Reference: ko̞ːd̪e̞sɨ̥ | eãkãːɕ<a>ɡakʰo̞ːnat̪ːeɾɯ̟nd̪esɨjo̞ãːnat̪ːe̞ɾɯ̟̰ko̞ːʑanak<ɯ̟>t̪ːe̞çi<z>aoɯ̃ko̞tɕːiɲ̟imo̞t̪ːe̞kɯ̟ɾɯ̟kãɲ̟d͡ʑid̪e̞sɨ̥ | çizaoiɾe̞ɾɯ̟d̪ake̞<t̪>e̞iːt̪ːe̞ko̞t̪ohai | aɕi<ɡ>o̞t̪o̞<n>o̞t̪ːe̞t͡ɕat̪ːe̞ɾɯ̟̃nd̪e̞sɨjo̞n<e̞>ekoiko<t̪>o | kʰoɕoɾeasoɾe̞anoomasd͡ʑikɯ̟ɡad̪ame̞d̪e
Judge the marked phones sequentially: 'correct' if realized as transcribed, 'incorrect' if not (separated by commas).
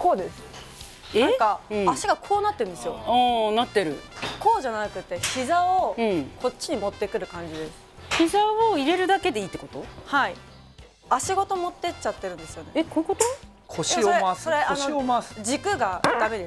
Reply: incorrect, correct, correct, incorrect, correct, incorrect, correct, correct